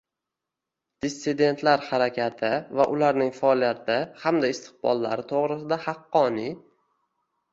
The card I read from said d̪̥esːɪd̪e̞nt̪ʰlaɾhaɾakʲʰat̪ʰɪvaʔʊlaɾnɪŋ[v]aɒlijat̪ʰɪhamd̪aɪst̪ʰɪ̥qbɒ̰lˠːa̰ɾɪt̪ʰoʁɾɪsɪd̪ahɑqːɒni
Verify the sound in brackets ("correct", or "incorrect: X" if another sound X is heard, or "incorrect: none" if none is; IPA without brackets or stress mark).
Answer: incorrect: f